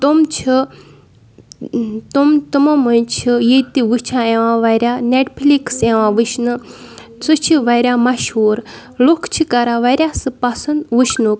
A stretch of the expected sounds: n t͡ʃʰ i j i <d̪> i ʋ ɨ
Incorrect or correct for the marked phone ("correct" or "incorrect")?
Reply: incorrect